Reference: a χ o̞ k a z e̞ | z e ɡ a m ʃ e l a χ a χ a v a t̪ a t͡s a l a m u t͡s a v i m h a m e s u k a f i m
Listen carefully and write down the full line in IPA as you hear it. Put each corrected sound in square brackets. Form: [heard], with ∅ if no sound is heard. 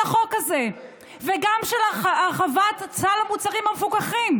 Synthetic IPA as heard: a χ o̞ k a z e̞ | [v] e ɡ a m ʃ e l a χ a χ a v a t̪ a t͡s a l a m u t͡s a [ʁ] i m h a m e [f] u k a [χ] i m